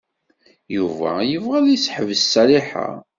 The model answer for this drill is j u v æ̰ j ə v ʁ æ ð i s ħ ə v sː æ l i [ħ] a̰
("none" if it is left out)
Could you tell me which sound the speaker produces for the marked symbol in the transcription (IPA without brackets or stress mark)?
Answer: ħ